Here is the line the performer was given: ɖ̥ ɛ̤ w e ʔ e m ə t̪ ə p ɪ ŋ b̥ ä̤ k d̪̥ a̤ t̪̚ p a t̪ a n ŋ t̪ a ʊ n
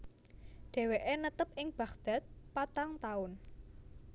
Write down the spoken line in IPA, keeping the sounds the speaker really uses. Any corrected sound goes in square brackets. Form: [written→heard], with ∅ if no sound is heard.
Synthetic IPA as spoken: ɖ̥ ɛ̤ w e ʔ e [m→n] ə t̪ ə p ɪ ŋ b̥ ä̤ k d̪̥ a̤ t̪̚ p a t̪ a [n→∅] ŋ t̪ a ʊ n